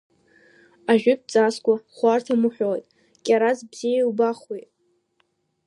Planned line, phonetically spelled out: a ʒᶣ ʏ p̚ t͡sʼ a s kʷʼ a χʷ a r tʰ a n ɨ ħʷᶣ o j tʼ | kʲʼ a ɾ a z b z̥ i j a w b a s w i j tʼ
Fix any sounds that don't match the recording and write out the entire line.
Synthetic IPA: a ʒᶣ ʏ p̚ t͡sʼ a s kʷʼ a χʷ a r tʰ a m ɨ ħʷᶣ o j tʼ | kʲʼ a ɾ a z b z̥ i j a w b a χ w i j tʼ